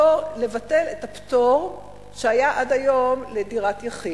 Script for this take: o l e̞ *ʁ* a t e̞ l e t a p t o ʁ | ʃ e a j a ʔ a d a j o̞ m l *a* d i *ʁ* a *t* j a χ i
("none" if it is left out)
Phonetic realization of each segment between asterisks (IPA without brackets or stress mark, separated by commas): v, e, ʁ, t